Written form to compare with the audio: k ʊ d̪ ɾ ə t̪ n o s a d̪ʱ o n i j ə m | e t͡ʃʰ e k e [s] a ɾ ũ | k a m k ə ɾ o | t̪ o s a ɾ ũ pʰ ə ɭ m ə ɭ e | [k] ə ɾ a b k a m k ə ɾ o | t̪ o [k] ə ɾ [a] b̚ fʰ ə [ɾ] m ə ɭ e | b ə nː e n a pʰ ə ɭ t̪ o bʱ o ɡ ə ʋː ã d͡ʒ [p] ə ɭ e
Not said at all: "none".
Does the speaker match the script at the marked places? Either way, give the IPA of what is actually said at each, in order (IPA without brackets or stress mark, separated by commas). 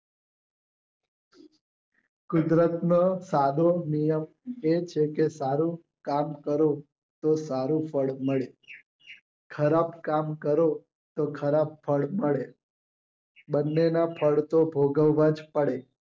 s, kʰ, kʰ, a, ɭ, p